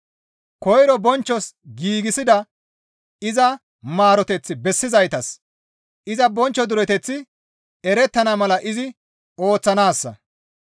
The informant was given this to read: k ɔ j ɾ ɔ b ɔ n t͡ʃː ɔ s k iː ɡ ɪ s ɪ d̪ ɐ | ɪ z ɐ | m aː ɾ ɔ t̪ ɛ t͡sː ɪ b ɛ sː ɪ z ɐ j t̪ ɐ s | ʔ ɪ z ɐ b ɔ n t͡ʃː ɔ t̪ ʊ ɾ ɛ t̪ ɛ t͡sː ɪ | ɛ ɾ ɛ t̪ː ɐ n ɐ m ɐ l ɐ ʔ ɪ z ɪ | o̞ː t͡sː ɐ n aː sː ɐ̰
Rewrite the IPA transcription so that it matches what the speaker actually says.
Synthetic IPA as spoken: k ɔ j ɾ ɔ b ɔ n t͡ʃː ɔ s ɡ iː ɡ ɪ s ɪ d̪ ɐ | ɪ z ɐ | m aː ɾ ɔ t̪ ɛ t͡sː ɪ b ɛ sː ɪ z ɐ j t̪ ɐ s | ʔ ɪ z ɐ b ɔ n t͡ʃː ɔ d̪ ʊ ɾ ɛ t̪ ɛ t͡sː ɪ | ɛ ɾ ɛ t̪ː ɐ n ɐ m ɐ l ɐ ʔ ɪ z ɪ | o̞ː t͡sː ɐ n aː sː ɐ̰